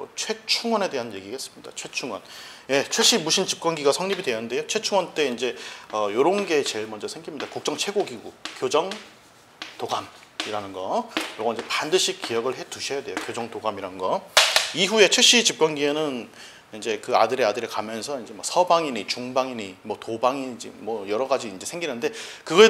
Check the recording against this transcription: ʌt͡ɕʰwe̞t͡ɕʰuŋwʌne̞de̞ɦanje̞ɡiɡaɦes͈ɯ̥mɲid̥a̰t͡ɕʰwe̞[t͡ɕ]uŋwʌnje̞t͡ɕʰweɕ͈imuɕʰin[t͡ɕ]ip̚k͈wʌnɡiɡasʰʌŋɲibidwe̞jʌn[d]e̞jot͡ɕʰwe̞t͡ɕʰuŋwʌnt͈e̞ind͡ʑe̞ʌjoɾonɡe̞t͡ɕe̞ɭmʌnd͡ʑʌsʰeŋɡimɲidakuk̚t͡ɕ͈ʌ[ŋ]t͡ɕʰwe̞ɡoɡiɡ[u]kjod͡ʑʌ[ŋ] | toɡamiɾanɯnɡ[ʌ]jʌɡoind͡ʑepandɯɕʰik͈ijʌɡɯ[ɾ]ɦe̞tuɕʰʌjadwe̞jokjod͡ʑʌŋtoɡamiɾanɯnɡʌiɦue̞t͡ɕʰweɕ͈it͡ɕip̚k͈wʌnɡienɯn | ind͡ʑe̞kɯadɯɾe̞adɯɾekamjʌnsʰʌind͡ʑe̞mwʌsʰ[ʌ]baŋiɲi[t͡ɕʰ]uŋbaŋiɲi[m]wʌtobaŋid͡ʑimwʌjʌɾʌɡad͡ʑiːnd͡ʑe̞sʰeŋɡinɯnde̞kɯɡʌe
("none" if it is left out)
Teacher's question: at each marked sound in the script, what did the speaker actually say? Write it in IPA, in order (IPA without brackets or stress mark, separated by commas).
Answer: t͡ɕʰ, t͡ɕ, d, ŋ, u, ŋ, ʌ, ɭ, ʌ, t͡ɕ, m